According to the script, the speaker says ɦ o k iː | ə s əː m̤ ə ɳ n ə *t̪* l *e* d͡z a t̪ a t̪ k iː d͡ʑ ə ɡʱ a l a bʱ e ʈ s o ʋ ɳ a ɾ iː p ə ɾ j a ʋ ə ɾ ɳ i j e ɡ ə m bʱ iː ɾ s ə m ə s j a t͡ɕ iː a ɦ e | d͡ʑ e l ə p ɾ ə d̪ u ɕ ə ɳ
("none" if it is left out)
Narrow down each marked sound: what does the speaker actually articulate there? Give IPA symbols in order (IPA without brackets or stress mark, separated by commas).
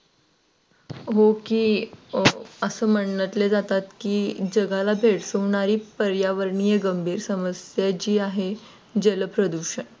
t̪, e